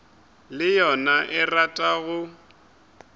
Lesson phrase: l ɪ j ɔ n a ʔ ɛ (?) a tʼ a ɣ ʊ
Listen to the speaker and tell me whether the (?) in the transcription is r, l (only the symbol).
r